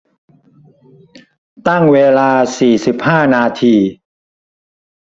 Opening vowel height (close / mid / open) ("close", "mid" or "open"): open